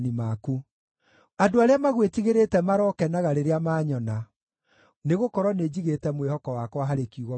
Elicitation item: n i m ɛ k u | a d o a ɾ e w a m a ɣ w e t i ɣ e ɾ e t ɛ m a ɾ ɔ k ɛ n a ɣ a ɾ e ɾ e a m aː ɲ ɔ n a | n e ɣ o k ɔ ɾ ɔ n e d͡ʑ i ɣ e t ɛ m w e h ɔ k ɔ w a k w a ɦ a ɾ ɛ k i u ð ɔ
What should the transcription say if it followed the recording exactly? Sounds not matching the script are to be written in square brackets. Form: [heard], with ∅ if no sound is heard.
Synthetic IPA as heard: n i m [a] k u | a d o a ɾ e [∅] a m a ɣ w e t i ɣ e ɾ e t ɛ m a ɾ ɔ k ɛ n a ɣ a ɾ e ɾ e a m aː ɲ ɔ n a | n e ɣ o k ɔ ɾ ɔ n e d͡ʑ i ɣ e t ɛ m w e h ɔ k ɔ w a k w a ɦ a ɾ [e] k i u [ɣ] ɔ